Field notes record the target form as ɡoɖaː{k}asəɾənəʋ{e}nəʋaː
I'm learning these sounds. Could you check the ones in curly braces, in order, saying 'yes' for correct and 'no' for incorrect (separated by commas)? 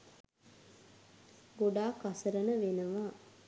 yes, yes